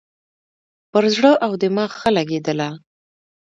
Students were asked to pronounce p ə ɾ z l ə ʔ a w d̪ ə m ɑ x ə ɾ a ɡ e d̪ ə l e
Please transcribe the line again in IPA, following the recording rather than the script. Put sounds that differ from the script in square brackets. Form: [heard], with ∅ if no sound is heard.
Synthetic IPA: p ə ɾ z [ɽ] ə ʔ a w d̪ ə m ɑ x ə [l] a ɡ e d̪ ə l [a]